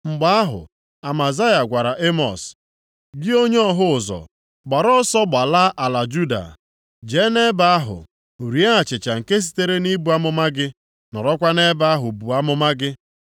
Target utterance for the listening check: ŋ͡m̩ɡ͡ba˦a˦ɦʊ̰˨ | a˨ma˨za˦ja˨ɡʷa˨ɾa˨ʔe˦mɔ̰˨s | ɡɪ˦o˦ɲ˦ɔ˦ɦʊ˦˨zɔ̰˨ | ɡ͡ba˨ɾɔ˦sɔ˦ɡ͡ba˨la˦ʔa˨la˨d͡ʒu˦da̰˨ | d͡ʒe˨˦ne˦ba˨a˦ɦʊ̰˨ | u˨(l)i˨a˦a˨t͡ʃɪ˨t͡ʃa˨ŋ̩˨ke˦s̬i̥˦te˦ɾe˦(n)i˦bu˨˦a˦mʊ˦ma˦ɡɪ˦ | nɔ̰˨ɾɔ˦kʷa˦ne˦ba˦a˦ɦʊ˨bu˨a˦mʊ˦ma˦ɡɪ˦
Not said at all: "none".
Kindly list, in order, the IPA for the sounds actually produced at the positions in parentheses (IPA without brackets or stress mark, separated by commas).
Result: ɾ, n